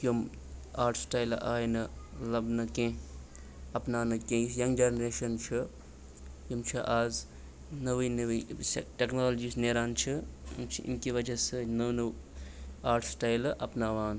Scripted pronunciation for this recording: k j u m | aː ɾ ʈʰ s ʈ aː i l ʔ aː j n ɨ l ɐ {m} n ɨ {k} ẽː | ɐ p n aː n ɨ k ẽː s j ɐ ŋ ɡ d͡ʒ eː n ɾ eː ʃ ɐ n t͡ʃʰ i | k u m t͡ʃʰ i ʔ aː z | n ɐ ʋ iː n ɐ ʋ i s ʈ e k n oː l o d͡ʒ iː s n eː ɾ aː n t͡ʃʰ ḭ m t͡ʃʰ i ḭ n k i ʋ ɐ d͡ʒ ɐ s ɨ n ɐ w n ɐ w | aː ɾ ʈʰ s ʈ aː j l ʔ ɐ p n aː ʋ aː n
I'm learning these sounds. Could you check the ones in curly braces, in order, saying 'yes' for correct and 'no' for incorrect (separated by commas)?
no, yes